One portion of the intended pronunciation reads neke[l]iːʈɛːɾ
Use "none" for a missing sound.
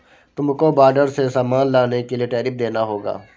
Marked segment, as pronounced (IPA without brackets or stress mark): l